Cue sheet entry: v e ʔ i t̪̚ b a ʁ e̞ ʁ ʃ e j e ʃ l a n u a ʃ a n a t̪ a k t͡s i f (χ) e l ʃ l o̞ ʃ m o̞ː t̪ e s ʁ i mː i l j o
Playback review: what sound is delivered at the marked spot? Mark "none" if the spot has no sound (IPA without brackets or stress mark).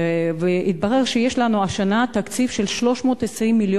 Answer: ʃ